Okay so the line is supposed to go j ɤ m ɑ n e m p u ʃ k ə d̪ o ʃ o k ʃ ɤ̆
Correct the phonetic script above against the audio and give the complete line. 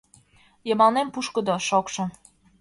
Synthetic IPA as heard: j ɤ m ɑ n e m p u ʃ k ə d̪ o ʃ o k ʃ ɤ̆